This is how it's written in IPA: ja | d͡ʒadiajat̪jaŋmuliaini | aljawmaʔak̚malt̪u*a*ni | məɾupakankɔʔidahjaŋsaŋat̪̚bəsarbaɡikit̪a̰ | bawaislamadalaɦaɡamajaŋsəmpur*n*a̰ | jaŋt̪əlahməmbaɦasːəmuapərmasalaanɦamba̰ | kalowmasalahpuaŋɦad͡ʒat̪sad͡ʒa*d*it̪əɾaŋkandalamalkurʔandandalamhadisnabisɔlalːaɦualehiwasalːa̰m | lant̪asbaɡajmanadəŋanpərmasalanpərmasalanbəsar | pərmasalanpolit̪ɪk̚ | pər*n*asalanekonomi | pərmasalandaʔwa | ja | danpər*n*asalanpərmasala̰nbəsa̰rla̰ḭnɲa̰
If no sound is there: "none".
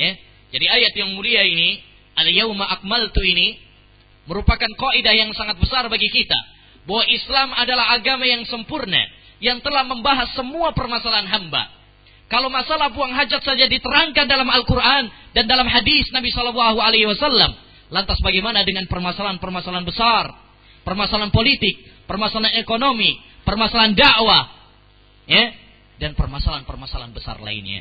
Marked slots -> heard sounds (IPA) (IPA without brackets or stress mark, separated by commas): i, n, d, m, m